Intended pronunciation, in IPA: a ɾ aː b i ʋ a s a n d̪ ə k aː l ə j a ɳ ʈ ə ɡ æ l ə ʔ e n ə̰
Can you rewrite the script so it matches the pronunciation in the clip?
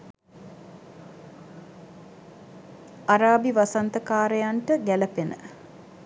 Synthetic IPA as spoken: a ɾ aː b i ʋ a s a n t̪ ə k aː ɾ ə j a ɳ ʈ ə ɡ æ l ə p e n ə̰